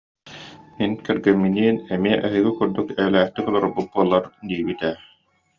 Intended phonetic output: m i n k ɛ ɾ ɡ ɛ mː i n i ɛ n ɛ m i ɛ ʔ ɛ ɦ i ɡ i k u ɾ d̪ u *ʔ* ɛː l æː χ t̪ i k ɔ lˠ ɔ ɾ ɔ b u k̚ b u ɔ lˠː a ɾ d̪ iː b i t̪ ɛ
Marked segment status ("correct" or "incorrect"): incorrect